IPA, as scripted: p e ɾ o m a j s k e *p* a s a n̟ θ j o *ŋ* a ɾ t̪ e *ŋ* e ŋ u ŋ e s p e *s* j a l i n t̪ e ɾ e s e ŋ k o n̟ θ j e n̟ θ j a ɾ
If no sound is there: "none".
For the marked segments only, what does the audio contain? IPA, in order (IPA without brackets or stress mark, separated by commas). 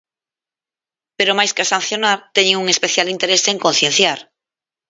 none, n, ɲ, θ